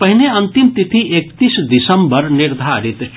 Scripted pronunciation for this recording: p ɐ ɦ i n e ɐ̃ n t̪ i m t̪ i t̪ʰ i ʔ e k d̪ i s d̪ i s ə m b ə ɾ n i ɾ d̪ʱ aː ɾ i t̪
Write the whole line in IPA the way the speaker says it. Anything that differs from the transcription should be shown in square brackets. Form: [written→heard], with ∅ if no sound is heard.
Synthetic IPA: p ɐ ɦ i n e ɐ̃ n t̪ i m t̪ i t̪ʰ i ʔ e k [d̪→t̪] i s d̪ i s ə m b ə ɾ n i ɾ d̪ʱ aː ɾ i t̪